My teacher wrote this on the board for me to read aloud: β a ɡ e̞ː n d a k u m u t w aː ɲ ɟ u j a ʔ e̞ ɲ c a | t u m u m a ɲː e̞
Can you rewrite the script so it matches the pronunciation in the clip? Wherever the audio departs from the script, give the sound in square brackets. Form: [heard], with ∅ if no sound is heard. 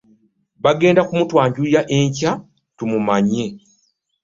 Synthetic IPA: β a ɡ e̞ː n d a k u m u t w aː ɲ ɟ u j a ʔ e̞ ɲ c a | t u m u m a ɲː e̞